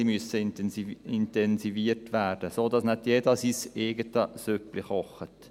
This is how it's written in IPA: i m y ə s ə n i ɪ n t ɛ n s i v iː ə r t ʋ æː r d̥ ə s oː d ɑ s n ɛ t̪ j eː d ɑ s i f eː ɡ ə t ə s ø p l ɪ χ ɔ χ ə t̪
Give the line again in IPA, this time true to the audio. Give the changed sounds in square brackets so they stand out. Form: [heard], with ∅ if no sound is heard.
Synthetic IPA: i m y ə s ə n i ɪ n t ɛ n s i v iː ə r t ʋ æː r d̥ ə s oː d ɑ s n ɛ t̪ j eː d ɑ s i [s] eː ɡ ə t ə s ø p l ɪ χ ɔ χ ə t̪